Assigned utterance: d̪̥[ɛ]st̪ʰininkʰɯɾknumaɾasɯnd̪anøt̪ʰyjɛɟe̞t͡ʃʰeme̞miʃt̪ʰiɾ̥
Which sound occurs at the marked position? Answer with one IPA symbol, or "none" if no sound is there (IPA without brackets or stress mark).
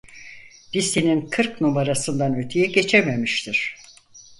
i